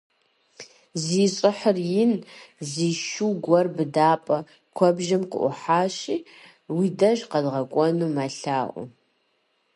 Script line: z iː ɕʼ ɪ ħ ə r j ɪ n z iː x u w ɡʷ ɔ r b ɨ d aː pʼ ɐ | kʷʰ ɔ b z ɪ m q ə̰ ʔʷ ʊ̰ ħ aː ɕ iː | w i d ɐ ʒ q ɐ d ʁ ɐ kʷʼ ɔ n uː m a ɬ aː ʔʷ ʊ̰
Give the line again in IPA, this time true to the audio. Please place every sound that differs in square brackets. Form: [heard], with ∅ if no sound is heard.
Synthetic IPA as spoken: z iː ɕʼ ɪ ħ ə r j ɪ n z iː [ʃ] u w ɡʷ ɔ r b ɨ d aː pʼ ɐ | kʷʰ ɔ b [ʒ] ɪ m q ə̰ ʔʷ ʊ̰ ħ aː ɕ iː | w i d ɐ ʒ q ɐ d ʁ ɐ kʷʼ ɔ n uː m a ɬ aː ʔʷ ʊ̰

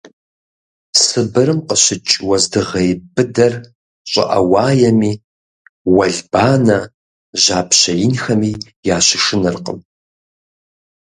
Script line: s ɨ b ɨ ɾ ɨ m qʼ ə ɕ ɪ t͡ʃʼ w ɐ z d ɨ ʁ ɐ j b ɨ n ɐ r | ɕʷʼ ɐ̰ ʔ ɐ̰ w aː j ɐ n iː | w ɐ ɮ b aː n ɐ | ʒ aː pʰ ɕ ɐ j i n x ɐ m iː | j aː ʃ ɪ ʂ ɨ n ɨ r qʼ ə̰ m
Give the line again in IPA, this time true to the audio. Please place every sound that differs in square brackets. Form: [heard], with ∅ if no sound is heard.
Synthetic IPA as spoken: s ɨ b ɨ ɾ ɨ m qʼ ə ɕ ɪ t͡ʃʼ w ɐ z d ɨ ʁ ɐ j b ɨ [d] ɐ r | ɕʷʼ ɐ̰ ʔ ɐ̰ w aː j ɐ [m] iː | w ɐ ɮ b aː n ɐ | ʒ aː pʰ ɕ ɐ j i n x ɐ m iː | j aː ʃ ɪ ʂ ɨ n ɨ r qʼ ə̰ m

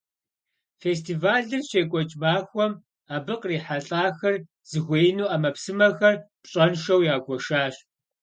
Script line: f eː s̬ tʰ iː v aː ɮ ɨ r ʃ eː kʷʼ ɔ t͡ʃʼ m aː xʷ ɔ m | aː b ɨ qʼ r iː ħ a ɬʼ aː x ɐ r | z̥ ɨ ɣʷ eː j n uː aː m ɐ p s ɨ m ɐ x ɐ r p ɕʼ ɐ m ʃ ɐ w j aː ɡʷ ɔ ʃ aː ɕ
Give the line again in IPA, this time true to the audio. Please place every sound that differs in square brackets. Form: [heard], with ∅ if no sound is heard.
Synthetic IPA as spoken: f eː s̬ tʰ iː v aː ɮ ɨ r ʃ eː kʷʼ ɔ t͡ʃʼ m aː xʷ ɔ m | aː b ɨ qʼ r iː ħ a ɬʼ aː x ɐ r | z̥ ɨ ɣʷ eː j n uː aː m ɐ p s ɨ m ɐ x ɐ r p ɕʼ ɐ [n] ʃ ɐ w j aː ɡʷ ɔ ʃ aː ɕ

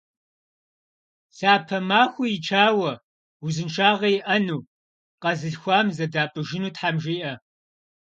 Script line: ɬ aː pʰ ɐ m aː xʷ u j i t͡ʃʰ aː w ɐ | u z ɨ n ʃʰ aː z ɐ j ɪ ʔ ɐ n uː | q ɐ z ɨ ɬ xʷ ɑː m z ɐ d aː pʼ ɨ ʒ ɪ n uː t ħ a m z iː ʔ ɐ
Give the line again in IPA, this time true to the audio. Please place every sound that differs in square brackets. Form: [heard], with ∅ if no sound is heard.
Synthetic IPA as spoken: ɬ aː pʰ ɐ m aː xʷ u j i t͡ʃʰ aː w ɐ | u z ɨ n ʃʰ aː [ʁ] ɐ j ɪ ʔ ɐ n uː | q ɐ z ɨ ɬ xʷ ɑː m z ɐ d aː pʼ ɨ ʒ ɪ n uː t ħ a m [ʒ] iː ʔ ɐ

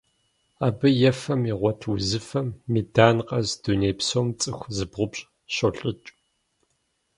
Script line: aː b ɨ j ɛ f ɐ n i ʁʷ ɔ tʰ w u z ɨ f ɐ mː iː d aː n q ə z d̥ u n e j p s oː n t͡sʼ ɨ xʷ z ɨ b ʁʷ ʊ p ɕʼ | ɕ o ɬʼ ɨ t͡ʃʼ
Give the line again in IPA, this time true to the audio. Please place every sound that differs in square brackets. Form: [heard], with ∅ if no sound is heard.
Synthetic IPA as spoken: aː b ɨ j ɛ f ɐ [m] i ʁʷ ɔ tʰ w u z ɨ f ɐ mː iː d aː n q [ɐ] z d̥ u n e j p s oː [m] t͡sʼ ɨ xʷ z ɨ b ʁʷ ʊ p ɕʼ | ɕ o ɬʼ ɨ t͡ʃʼ

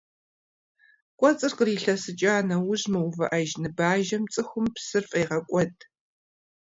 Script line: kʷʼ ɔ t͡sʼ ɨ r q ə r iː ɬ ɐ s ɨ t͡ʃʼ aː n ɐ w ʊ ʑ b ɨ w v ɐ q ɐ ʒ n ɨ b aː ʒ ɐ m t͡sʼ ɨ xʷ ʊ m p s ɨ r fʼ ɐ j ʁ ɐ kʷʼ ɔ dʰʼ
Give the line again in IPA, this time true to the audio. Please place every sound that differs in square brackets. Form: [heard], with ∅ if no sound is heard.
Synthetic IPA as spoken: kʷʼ ɔ t͡sʼ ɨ r q ə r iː ɬ ɐ s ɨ t͡ʃʼ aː n ɐ w ʊ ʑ [m] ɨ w v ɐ [ʔ] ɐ ʒ n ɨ b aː ʒ ɐ m t͡sʼ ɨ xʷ ʊ m p s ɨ r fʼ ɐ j ʁ ɐ kʷʼ ɔ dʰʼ

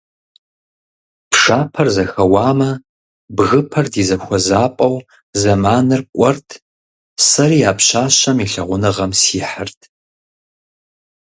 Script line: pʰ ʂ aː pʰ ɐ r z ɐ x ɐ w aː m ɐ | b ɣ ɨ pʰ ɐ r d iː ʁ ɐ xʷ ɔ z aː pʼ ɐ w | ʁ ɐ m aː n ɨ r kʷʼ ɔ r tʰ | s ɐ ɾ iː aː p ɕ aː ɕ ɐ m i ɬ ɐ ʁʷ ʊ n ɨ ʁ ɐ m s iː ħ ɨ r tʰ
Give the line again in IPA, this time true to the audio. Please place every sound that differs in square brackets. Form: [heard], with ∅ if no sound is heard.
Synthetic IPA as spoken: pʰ ʂ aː pʰ ɐ r z ɐ x ɐ w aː m ɐ | b ɣ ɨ pʰ ɐ r d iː [z] ɐ xʷ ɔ z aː pʼ ɐ w | [z] ɐ m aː n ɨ r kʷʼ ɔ r tʰ | s ɐ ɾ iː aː p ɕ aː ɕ ɐ m i ɬ ɐ ʁʷ ʊ n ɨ ʁ ɐ m s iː ħ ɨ r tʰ

